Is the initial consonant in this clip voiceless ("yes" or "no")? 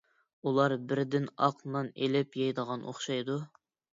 no